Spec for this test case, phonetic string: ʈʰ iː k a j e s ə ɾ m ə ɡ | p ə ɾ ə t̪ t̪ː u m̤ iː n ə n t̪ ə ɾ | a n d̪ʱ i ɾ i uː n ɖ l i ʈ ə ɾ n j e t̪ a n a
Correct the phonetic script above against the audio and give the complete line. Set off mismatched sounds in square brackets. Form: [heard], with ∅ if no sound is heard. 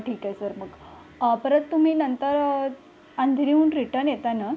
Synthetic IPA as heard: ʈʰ iː k a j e s ə ɾ m ə ɡ | p ə ɾ ə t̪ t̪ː u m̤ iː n ə n t̪ ə ɾ | a n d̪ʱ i ɾ i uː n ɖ [ɾ] i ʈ ə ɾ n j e t̪ a n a